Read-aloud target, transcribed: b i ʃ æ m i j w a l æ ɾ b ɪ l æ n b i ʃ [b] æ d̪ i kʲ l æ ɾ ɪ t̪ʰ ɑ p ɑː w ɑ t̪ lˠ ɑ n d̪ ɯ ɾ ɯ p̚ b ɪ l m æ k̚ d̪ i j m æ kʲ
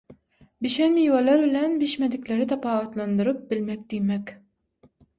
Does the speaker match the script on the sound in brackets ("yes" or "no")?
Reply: no